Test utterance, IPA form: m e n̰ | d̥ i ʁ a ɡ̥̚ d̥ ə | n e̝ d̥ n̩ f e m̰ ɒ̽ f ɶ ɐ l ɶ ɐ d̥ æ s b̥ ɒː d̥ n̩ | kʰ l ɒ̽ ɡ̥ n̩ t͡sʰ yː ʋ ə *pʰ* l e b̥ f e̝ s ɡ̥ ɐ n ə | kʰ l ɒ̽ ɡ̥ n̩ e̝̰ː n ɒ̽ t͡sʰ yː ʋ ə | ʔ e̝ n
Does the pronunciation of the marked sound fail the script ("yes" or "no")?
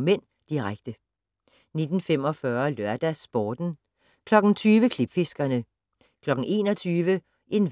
yes